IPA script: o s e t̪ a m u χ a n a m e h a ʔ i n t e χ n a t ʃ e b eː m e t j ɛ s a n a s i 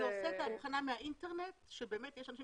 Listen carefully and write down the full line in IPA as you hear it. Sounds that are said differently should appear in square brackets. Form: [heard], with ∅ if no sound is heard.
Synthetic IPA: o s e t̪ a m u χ a n a m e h a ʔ i n t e [ʁ] n [e] t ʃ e b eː m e t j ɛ [ʃ] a n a [ʃ] i